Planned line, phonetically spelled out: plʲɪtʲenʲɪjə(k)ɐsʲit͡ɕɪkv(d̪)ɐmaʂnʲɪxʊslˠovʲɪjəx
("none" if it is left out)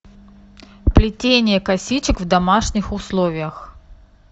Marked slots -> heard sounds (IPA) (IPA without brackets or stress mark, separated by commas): k, d̪